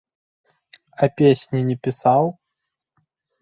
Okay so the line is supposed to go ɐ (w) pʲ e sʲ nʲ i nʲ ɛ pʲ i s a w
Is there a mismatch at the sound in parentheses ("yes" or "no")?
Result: yes